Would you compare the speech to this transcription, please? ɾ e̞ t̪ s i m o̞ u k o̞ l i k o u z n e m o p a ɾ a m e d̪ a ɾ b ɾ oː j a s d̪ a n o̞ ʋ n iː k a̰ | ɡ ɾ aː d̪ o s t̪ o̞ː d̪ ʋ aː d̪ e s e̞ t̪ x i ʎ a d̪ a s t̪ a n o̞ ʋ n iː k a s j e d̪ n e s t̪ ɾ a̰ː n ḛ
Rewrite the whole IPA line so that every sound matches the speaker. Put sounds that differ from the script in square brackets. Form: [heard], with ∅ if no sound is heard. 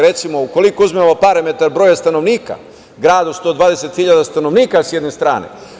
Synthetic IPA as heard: ɾ e̞ t̪ s i m o̞ u k o̞ l i k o u z [m] e m o p a ɾ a m e [t̪] a ɾ b ɾ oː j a s [t̪] a n o̞ ʋ n iː k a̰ | ɡ ɾ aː d̪ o s t̪ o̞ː d̪ ʋ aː d̪ e s e̞ t̪ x i ʎ a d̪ a s t̪ a n o̞ ʋ n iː k a s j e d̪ n e s t̪ ɾ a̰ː n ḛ